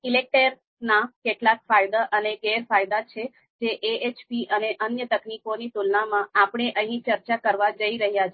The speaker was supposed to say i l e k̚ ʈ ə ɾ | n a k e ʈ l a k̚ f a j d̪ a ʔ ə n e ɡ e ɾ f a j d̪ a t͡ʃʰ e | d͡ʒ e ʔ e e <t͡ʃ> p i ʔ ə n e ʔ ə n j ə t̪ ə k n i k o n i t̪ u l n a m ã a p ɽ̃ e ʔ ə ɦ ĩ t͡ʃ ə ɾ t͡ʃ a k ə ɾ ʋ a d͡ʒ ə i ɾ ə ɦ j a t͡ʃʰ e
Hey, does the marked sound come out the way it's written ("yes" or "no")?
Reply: yes